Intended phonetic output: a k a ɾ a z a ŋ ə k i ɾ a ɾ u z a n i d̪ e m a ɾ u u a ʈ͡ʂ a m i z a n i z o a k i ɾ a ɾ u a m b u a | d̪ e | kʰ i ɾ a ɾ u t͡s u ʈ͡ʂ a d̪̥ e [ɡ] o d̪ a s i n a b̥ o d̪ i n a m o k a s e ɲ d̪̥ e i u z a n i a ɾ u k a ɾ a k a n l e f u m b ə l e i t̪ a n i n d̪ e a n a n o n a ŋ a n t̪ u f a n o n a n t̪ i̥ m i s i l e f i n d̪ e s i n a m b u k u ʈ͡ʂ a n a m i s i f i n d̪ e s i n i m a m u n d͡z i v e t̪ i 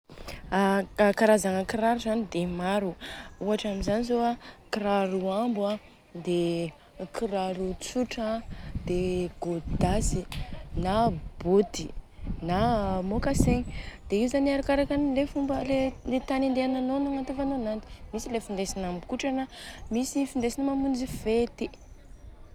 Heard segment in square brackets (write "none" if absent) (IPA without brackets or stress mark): ɡ